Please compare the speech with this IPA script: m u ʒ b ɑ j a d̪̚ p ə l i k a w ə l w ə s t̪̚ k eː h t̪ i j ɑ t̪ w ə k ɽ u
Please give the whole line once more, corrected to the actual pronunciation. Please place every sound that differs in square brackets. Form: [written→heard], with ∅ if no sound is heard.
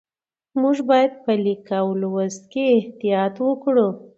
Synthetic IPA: m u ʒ b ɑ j a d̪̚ p ə l i k a w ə l w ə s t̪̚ k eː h t̪ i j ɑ t̪ w ə k ɽ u

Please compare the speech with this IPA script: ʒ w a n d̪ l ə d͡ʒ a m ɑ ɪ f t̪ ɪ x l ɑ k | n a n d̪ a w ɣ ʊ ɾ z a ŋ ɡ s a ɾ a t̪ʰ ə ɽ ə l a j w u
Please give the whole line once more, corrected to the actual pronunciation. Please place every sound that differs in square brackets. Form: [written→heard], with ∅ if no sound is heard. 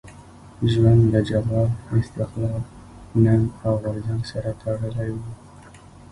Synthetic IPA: ʒ w a n d̪ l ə d͡ʒ a m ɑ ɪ [f→s] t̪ ɪ x l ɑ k | n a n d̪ a w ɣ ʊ ɾ z a ŋ ɡ s a ɾ a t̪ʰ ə ɽ ə l a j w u

